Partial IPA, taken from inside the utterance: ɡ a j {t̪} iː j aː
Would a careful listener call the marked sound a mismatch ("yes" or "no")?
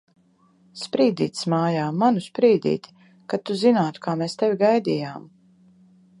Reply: yes